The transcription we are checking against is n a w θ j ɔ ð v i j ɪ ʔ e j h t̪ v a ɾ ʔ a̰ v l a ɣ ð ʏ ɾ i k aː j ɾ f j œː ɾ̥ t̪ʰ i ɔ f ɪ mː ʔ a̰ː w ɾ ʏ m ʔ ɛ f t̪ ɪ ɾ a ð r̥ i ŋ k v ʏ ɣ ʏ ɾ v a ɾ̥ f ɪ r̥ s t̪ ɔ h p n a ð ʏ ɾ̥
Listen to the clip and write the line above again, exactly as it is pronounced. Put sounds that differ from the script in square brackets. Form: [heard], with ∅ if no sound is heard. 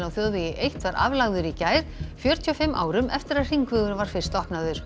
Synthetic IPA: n a w θ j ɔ ð v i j ɪ ʔ e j h t̪ v a ɾ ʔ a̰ v l a ɣ ð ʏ ɾ i [c] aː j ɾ f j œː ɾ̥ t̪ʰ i ɔ f ɪ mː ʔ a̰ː w ɾ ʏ m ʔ ɛ f t̪ ɪ ɾ a ð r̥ i ŋ k v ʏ ɣ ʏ ɾ v a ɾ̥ f ɪ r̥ s t̪ ɔ h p n a ð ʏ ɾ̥

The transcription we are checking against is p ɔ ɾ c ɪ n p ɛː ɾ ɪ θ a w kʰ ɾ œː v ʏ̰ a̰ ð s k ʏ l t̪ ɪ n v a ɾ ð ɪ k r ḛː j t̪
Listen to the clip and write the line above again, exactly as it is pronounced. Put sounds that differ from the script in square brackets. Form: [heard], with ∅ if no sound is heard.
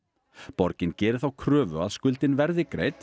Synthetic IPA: p ɔ ɾ c ɪ n [c] ɛː ɾ ɪ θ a w kʰ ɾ œː v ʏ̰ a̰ ð s k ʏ l t̪ ɪ n v [ɛ] ɾ ð ɪ k [ɾ] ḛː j t̪

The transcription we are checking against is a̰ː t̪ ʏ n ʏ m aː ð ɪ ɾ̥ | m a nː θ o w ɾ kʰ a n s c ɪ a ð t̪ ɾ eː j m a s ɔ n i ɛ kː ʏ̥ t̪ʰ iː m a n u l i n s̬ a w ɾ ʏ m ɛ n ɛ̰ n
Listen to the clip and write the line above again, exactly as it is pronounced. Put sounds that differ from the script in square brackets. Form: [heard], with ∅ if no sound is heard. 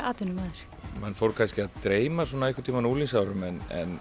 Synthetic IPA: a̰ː t̪ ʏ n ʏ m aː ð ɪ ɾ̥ | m a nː [f] o w ɾ kʰ a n s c ɪ a ð t̪ ɾ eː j m a s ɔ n [a] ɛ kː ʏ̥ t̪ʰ iː m a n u l i n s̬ a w ɾ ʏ m ɛ n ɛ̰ n

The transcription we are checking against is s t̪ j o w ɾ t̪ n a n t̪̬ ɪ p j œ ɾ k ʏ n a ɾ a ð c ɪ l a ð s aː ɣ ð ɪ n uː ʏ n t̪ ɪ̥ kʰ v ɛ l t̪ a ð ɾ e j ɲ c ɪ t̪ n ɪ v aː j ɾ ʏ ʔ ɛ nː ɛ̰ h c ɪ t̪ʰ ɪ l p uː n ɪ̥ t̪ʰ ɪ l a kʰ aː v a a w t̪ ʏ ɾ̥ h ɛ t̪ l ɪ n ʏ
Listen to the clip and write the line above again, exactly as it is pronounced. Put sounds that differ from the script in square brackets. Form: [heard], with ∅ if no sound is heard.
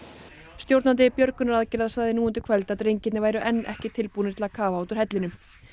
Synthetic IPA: s t̪ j o w ɾ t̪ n a n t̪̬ ɪ p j œ ɾ k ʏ n a ɾ a ð c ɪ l a ð s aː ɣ ð ɪ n uː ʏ n t̪ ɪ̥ kʰ v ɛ l t̪ a ð ɾ e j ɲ c ɪ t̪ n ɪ v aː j ɾ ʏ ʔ ɛ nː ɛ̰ h c ɪ t̪ʰ ɪ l p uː n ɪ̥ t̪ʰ ɪ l a kʰ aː v a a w t̪ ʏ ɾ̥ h ɛ t̪ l ɪ n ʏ

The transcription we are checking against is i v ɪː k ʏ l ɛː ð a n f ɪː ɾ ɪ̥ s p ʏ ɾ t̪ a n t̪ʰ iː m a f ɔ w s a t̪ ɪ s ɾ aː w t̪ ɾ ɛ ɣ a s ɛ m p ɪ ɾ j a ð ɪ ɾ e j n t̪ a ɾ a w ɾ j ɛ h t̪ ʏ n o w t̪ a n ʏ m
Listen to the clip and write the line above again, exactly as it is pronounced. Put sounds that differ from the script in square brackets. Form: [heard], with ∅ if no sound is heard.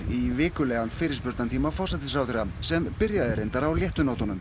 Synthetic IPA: i v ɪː k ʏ l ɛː [ɣ] a n f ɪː ɾ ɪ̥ s p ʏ ɾ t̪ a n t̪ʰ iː m a f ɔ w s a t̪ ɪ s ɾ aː w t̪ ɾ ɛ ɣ a s ɛ m p ɪ ɾ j a ð ɪ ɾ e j n t̪ a ɾ a w [l] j ɛ h t̪ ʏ n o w t̪ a n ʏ m

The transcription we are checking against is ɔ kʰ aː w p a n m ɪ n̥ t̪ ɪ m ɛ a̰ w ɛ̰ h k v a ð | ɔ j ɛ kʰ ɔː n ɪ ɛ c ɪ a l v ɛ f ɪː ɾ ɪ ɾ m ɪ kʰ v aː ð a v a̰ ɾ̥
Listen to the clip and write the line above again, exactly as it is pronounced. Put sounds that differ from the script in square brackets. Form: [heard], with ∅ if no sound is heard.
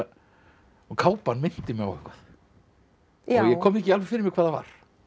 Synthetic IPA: ɔ kʰ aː w p a n m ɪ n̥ t̪ ɪ m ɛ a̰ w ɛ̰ h k v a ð | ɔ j ɛ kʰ ɔː [m] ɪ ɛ c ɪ a l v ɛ f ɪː ɾ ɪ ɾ m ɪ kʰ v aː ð a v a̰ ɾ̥

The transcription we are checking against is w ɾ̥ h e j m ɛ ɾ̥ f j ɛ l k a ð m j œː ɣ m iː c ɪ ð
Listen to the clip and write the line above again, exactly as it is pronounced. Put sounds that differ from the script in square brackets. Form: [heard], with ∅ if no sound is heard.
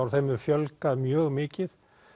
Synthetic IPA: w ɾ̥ [θ] e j m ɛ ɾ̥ f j [œ] l k a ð m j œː ɣ m [ɪː] c ɪ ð

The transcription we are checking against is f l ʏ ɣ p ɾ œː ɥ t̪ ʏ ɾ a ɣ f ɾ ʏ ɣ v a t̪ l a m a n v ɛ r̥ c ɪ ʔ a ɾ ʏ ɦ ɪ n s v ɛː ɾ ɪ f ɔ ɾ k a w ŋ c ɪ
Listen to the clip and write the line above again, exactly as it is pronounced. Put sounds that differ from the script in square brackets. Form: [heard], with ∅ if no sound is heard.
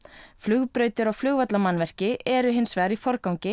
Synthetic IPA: f l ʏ ɣ p ɾ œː ɥ t̪ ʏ ɾ a ɣ f [l] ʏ ɣ v a t̪ l a m a n v ɛ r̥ c ɪ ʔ [ɛ] ɾ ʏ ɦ ɪ n s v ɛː ɾ [i] f ɔ ɾ k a w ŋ c ɪ

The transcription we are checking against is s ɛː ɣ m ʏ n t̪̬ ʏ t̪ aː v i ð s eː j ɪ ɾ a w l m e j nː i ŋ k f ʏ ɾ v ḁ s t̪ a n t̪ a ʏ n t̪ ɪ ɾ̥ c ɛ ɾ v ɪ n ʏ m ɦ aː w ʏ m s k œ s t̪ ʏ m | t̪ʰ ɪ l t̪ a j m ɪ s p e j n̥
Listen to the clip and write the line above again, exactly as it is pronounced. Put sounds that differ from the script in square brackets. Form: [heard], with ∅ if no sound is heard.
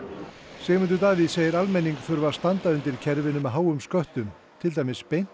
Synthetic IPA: s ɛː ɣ m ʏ n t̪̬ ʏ t̪ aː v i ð s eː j ɪ ɾ a [∅] l m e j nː i ŋ k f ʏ ɾ v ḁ s t̪ a n t̪ a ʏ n t̪ ɪ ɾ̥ [cʰ] ɛ ɾ v ɪ n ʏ m ɦ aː w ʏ m s k œ [h] t̪ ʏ m | t̪ʰ ɪ l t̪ a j m ɪ s p e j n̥

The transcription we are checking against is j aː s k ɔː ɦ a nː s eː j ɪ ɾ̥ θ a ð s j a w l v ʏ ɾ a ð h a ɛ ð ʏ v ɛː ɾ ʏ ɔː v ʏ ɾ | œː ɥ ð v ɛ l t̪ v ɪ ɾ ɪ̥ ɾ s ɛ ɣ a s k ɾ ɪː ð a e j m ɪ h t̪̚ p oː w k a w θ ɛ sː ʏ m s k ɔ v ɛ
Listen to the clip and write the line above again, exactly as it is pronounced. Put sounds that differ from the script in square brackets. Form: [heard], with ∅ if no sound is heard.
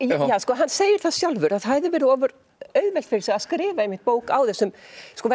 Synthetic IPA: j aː s k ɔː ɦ a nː s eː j ɪ ɾ̥ θ a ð s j a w l v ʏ ɾ a ð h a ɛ ð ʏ v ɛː ɾ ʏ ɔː v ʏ ɾ | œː ɥ ð v ɛ l t̪ [f] ɪ ɾ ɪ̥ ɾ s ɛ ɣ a s k ɾ ɪː [v] a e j m ɪ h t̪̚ p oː w k a w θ ɛ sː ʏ m s k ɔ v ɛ

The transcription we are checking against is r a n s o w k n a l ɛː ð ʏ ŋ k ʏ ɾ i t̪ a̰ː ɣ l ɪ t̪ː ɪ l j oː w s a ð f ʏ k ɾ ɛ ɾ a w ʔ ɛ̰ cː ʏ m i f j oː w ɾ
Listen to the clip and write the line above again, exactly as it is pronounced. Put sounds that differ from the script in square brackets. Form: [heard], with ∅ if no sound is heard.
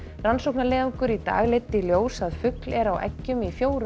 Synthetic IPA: r a n s o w k n a l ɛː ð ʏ ŋ k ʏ ɾ i t̪ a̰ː ɣ l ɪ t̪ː ɪ l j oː w s a ð f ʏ k [l] ɛ ɾ a w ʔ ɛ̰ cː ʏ m i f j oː w ɾ

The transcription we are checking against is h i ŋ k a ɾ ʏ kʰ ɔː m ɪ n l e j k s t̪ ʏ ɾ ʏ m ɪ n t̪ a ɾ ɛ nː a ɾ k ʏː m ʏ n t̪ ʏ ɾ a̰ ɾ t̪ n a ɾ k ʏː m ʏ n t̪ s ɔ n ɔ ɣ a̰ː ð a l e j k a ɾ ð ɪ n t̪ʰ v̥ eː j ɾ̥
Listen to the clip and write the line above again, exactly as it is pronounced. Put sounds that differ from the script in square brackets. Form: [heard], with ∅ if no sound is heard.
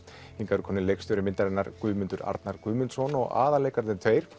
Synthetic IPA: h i ŋ k a ɾ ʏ kʰ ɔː [n] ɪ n l e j k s t̪ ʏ ɾ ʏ m ɪ n t̪ a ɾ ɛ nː a ɾ k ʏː m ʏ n t̪ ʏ ɾ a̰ ɾ t̪ n a ɾ k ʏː m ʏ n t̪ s ɔ n ɔ ɣ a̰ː ð a l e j k a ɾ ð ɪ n t̪ʰ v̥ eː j ɾ̥

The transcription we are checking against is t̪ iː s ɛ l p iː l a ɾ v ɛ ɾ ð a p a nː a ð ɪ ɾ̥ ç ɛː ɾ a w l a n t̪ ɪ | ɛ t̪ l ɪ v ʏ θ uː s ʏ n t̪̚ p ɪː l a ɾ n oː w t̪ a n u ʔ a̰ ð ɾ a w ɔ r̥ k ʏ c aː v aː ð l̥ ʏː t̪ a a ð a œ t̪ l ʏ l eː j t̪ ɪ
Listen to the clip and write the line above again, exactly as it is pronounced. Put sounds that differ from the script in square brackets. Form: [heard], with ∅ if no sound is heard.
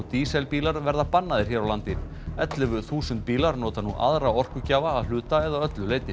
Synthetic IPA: t̪ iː s ɛ l p iː l a ɾ v ɛ ɾ ð a p a nː a ð ɪ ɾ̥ ç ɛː ɾ a w l a n t̪ ɪ | ɛ t̪ l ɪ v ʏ θ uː s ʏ n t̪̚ p [iː] l a ɾ n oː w t̪ a n u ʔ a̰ ð ɾ a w ɔ r̥ k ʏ c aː v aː ð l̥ ʏː t̪ a [ɛ] ð a œ t̪ l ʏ l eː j t̪ ɪ

